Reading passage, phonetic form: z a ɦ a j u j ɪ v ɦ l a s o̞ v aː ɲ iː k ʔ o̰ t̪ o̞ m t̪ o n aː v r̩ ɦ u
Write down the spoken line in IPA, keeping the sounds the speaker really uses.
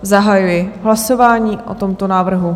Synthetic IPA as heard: z a ɦ a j u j ɪ ɦ l a s o̞ v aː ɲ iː ʔ ʔ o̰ t̪ o̞ m t̪ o n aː v r̩ ɦ u